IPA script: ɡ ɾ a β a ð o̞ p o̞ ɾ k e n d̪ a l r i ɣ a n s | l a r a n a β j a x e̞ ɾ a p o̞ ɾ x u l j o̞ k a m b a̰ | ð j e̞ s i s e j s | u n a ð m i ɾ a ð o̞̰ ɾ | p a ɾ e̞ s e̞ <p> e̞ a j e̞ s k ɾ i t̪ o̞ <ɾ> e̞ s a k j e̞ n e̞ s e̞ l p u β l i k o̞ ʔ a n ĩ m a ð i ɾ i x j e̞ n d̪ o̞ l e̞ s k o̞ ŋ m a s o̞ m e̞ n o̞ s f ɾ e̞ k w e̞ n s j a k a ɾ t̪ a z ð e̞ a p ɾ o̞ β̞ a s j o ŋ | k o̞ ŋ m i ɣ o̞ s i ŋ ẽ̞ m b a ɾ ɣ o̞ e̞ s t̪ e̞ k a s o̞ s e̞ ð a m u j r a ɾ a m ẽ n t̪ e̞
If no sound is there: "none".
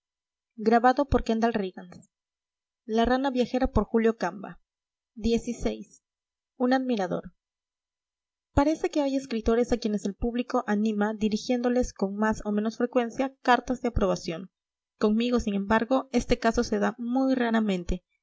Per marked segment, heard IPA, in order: k, ɾ

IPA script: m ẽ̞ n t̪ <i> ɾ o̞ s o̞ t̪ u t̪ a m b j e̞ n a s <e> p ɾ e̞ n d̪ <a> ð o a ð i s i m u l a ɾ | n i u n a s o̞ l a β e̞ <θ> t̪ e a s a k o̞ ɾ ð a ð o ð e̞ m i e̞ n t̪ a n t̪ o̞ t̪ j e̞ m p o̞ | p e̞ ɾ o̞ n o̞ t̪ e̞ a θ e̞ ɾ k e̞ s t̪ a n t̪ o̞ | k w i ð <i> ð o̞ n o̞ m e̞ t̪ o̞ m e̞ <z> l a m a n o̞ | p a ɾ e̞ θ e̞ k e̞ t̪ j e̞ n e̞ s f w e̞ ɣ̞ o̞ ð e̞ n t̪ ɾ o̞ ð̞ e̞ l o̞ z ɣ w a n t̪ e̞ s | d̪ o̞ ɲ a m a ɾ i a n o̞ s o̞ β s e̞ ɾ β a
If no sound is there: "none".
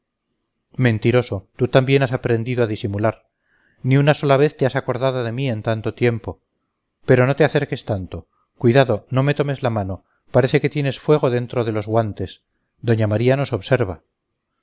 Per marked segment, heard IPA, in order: i, a, i, θ, a, z

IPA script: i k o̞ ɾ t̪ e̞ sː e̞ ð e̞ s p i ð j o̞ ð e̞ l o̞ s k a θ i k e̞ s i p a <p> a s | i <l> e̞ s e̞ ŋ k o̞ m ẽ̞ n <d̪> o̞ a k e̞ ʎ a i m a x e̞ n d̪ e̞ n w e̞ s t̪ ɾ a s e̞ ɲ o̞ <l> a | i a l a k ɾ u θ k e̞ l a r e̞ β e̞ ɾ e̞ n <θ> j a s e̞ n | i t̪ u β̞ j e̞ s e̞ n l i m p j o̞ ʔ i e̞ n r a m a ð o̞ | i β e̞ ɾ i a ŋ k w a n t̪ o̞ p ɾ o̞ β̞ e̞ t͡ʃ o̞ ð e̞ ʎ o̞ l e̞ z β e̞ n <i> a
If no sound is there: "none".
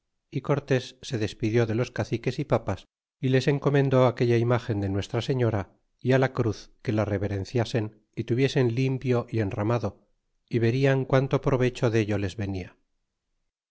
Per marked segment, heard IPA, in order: p, l, d̪, ɾ, θ, i

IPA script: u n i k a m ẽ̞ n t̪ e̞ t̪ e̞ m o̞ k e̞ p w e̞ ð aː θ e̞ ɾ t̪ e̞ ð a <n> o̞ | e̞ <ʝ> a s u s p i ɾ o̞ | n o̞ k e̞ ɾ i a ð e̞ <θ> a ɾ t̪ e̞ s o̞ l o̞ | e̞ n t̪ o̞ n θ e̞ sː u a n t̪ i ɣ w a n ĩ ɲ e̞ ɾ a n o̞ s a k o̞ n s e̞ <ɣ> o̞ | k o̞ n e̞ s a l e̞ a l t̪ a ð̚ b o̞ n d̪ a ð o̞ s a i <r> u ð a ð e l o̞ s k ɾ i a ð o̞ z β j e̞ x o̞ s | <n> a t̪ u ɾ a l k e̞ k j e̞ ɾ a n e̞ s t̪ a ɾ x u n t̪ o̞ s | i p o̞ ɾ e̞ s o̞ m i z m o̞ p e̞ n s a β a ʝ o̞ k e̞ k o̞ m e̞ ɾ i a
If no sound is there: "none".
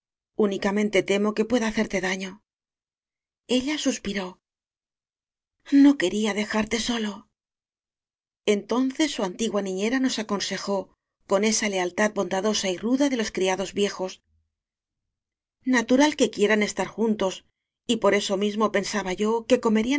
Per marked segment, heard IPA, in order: ɲ, ʎ, x, x, r, n

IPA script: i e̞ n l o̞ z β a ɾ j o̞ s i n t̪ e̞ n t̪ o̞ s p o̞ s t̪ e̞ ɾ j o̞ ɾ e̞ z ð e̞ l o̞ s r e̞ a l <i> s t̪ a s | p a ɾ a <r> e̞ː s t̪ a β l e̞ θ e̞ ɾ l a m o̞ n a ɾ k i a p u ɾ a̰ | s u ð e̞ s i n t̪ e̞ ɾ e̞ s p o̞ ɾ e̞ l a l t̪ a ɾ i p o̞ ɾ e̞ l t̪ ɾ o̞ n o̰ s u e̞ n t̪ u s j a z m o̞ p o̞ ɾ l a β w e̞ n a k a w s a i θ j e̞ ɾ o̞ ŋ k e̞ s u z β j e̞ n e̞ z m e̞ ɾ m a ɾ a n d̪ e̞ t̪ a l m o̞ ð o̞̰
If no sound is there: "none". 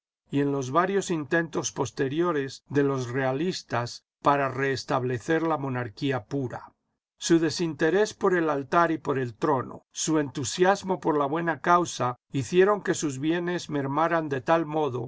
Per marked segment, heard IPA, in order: i, r

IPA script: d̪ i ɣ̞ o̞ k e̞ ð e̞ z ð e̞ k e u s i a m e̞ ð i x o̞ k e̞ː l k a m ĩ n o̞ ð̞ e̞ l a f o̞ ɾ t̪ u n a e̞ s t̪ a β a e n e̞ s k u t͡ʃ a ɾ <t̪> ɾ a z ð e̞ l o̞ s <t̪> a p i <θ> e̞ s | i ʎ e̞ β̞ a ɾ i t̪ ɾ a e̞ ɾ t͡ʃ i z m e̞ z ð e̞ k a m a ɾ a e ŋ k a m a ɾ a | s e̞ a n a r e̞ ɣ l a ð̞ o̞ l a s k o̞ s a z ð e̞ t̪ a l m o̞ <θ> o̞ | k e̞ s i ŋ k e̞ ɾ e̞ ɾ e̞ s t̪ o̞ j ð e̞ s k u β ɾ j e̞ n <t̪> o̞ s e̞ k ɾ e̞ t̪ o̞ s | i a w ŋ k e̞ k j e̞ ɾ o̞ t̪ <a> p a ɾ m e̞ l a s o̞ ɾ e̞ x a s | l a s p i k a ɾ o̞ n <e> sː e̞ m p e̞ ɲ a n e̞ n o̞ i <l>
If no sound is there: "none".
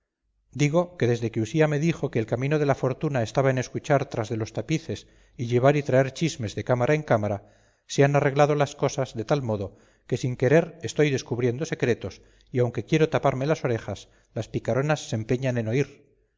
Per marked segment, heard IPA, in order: t̪, t̪, θ, ð, d̪, a, a, ɾ

